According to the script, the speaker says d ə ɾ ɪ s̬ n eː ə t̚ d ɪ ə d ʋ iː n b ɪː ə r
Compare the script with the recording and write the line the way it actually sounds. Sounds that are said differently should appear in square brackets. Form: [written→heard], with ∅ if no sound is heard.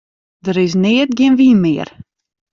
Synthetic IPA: d ə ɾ ɪ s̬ n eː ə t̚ [d→ɡ] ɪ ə [d→n] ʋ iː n [b→m] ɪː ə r